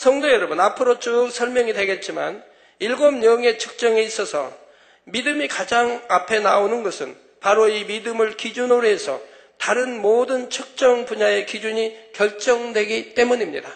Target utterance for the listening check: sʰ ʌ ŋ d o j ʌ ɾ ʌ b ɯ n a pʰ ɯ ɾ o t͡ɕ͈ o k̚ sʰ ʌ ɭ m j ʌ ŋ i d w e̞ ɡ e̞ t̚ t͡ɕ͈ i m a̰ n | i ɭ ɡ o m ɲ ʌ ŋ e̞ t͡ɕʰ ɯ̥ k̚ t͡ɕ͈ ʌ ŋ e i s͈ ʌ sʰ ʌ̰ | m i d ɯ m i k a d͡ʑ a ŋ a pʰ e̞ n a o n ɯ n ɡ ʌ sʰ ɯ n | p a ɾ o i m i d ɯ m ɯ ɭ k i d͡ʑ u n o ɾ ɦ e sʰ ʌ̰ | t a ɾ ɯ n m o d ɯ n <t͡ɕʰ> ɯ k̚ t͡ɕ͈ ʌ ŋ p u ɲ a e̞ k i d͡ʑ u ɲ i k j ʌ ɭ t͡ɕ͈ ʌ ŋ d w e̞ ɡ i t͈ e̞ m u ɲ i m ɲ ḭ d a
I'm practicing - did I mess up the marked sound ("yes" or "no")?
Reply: no